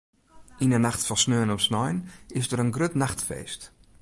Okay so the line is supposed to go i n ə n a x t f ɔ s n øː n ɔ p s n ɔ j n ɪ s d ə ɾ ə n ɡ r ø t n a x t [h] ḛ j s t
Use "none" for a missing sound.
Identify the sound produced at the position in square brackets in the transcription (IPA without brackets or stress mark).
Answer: f